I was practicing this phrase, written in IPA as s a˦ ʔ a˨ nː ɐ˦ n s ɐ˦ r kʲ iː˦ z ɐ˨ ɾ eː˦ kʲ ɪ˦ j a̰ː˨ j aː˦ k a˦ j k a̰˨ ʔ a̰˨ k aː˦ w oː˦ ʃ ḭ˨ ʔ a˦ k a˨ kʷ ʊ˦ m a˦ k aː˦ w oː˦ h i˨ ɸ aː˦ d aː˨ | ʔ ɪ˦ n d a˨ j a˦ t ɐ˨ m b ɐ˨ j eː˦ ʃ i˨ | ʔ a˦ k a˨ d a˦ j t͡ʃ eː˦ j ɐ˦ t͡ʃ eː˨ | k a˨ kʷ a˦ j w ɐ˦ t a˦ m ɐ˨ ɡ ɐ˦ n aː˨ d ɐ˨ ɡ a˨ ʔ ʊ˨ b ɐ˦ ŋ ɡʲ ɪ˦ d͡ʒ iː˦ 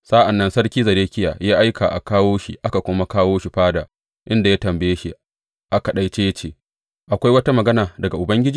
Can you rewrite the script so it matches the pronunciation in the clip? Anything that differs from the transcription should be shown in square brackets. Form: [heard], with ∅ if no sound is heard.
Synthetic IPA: s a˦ ʔ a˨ nː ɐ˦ n s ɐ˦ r kʲ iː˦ z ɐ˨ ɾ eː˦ kʲ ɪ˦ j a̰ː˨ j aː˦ [ʔ] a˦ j k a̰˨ ʔ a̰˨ k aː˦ w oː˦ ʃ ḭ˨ ʔ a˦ k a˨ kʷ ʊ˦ m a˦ k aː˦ w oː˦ [ʃ] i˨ ɸ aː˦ d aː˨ | ʔ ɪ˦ n d a˨ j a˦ t ɐ˨ m b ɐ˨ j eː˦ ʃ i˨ | ʔ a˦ k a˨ [ɗ] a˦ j t͡ʃ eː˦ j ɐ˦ t͡ʃ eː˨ | [ʔ] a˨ kʷ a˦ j w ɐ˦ t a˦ m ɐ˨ ɡ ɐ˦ n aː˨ d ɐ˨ ɡ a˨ ʔ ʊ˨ b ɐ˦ ŋ ɡʲ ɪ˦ d͡ʒ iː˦